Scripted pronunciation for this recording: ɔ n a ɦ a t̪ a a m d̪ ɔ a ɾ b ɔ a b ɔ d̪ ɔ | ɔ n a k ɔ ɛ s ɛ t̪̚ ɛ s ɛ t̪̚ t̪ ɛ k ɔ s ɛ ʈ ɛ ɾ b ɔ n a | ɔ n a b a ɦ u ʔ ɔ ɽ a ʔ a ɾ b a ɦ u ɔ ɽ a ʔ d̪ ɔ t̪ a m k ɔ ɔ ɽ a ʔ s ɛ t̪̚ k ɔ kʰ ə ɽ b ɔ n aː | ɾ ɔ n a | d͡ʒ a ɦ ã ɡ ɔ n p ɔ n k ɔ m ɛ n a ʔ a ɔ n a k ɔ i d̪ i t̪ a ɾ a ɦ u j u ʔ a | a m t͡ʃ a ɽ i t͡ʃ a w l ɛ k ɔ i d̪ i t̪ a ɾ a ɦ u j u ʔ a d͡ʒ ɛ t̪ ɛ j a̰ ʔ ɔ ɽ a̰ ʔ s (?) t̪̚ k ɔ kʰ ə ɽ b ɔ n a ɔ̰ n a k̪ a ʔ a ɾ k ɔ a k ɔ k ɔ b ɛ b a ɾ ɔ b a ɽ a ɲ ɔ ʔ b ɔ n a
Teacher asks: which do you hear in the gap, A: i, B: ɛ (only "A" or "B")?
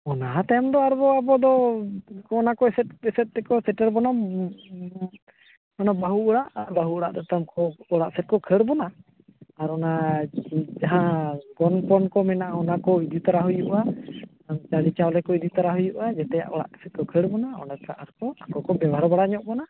B